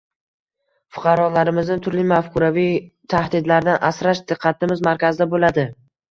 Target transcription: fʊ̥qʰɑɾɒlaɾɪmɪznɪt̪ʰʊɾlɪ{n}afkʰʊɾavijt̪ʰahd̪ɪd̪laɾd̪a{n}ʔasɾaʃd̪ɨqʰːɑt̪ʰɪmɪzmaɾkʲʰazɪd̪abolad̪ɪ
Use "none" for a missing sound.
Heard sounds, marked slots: m, n

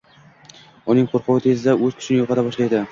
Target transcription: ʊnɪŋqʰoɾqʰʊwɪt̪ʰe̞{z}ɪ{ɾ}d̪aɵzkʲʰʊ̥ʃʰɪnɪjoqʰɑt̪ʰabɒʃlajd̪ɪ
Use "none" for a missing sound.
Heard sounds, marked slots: z, none

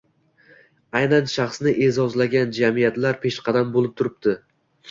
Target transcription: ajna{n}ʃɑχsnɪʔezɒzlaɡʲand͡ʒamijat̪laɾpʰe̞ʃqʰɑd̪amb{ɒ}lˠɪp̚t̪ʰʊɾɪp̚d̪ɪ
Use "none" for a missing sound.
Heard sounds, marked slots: n, o

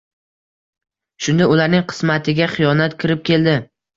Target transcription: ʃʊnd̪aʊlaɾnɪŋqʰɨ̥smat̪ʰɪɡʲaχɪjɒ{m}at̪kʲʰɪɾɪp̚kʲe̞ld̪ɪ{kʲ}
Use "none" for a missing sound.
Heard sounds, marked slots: n, none

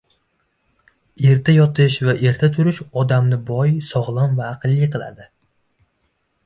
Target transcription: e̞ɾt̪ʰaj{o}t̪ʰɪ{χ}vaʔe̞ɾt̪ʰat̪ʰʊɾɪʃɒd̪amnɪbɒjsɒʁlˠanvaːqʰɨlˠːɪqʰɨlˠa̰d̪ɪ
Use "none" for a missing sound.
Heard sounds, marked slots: ɒ, ʃ

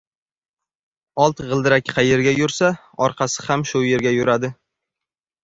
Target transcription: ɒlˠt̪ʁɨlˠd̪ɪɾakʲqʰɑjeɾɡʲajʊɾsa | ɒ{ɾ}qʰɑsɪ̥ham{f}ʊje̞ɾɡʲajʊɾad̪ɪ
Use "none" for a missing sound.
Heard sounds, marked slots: ɾ, ʃ

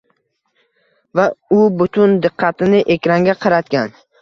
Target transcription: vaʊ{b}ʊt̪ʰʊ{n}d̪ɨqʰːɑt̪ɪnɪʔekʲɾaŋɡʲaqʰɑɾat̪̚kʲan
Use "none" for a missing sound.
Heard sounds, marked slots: b, n

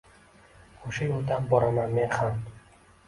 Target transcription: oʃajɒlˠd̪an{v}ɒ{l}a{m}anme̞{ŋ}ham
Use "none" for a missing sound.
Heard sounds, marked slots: b, ɾ, m, n

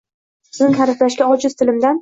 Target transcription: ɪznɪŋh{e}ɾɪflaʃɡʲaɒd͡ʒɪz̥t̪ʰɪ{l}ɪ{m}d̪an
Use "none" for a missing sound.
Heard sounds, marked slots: a, l, m

